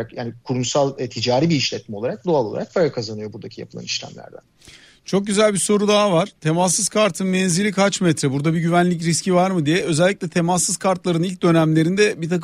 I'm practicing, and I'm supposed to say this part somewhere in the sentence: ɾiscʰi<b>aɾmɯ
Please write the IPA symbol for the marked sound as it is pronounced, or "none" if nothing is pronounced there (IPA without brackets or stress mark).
v